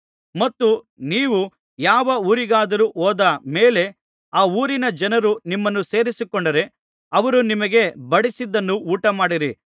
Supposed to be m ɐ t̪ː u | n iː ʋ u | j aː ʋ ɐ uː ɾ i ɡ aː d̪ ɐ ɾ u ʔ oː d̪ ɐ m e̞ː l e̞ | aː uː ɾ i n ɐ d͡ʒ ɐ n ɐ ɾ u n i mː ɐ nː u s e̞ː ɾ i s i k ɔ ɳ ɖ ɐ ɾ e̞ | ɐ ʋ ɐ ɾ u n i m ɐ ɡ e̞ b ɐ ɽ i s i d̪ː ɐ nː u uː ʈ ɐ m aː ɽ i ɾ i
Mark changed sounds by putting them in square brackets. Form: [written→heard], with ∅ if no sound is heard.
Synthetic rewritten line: m ɐ t̪ː u | n iː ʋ u | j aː ʋ ɐ uː ɾ i ɡ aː d̪ ɐ ɾ u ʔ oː d̪ ɐ m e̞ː l e̞ | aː uː ɾ i n ɐ d͡ʒ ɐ n ɐ ɾ u n i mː ɐ nː u s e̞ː ɾ i s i k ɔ ɳ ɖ ɐ ɾ e̞ | ɐ ʋ ɐ ɾ u n i m ɐ ɡ e̞ b ɐ ɽ i s i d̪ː ɐ nː u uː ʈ ɐ m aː ɽ i ɾ i